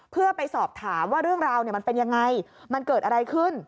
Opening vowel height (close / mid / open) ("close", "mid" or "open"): close